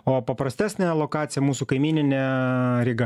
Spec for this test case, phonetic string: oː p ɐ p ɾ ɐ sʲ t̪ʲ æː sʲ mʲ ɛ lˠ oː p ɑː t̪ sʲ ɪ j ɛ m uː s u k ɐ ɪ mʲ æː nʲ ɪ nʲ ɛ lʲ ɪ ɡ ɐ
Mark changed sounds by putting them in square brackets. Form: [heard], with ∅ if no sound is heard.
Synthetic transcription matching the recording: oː p ɐ p ɾ ɐ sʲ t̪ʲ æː sʲ [nʲ] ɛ lˠ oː [k] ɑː t̪ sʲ ɪ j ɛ m uː s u k ɐ ɪ mʲ [iː] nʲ ɪ nʲ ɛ [ɾʲ] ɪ ɡ ɐ